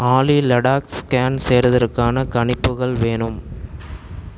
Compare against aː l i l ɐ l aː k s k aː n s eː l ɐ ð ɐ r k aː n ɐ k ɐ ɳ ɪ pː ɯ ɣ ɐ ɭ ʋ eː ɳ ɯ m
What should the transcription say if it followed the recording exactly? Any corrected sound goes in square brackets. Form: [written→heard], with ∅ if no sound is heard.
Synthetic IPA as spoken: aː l i l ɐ [l→ɽ] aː k s k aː n s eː [l→ɾ] ɐ ð ɐ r k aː n ɐ k ɐ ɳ ɪ pː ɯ ɣ ɐ ɭ ʋ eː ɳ ɯ m